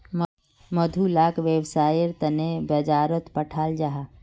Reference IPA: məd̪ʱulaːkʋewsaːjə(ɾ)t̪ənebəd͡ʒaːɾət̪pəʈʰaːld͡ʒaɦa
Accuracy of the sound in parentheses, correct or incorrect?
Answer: correct